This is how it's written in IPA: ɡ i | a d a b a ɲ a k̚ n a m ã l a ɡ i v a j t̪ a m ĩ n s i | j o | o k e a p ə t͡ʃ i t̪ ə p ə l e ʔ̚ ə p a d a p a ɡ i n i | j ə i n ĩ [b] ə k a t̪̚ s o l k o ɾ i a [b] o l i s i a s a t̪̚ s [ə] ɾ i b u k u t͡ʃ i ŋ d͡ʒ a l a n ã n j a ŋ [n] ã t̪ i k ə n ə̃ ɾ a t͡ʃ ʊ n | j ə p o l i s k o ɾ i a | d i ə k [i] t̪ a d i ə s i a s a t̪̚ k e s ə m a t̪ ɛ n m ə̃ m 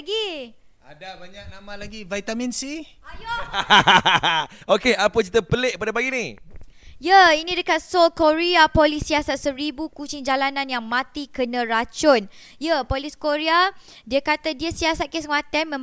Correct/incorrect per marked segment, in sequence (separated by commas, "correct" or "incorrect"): incorrect, incorrect, correct, incorrect, incorrect